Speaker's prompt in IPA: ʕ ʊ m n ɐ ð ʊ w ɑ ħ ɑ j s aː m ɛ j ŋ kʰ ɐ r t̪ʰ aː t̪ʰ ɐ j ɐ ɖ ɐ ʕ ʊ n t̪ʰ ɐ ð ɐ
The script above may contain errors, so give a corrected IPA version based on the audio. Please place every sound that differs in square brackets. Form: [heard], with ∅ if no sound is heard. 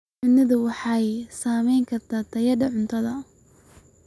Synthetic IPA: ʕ ʊ [∅] n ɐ ð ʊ w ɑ ħ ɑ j s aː m ɛ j ŋ kʰ ɐ r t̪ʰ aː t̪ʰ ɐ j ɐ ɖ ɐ ʕ ʊ n t̪ʰ ɐ ð ɐ